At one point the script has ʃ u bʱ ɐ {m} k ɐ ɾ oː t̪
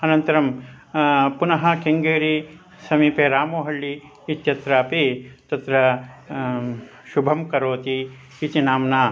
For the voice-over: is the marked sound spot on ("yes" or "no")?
yes